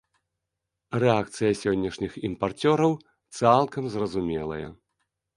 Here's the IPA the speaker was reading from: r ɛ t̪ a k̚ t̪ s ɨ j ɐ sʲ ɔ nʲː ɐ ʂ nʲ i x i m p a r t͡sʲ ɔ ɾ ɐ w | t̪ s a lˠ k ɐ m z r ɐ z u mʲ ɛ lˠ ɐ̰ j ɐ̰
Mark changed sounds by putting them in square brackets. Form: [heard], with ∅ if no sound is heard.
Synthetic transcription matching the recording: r ɛ [∅] a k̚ t̪ s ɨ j ɐ sʲ ɔ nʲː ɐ ʂ nʲ i x i m p a r t͡sʲ ɔ ɾ ɐ w | t̪ s a lˠ k ɐ m z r ɐ z u mʲ ɛ lˠ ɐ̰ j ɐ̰